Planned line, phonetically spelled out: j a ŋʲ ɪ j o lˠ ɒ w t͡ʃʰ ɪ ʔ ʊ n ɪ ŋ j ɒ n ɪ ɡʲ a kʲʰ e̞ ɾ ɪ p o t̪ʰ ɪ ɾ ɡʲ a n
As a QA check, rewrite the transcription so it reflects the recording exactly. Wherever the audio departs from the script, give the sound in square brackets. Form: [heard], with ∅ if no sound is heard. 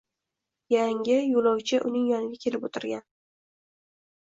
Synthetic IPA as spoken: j a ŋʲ ɪ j o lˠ ɒ w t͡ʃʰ ɪ ʔ ʊ n ɪ ŋ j ɒ n ɪ ɡʲ a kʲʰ e̞ [l] ɪ p o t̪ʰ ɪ ɾ ɡʲ a n